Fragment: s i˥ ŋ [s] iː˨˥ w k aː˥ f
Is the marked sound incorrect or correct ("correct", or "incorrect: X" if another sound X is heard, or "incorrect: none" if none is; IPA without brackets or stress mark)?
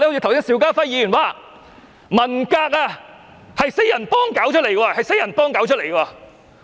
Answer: correct